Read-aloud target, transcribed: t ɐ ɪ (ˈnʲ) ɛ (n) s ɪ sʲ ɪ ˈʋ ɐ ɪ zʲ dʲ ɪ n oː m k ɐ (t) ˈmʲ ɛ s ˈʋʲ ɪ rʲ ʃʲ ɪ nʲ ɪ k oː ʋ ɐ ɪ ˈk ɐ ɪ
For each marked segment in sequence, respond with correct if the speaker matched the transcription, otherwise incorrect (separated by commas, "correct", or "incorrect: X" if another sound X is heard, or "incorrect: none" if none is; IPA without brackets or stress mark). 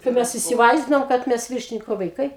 incorrect: mʲ, incorrect: none, correct